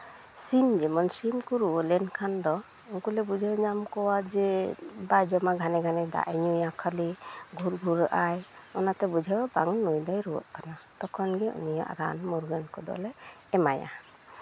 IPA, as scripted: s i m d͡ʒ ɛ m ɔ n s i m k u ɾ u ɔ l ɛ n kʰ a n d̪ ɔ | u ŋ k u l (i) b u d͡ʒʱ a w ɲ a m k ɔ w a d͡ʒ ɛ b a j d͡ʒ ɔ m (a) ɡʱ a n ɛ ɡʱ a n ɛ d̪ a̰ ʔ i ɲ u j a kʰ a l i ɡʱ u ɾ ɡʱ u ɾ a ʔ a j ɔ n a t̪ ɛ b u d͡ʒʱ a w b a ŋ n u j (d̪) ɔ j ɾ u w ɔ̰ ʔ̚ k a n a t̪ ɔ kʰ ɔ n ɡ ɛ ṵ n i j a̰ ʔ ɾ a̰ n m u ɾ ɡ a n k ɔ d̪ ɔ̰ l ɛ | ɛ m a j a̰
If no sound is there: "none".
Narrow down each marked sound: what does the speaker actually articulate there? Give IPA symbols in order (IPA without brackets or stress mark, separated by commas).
ɛ, a, d̪